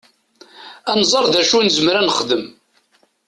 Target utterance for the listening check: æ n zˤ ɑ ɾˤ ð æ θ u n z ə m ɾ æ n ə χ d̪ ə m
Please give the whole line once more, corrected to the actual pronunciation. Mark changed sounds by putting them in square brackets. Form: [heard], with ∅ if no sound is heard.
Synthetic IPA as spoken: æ n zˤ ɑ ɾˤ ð æ [ʃ] u n z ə m ɾ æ n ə χ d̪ ə m